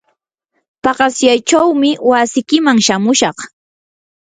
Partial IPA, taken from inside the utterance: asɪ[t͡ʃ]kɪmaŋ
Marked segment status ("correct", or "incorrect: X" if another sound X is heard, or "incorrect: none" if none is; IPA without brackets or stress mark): incorrect: none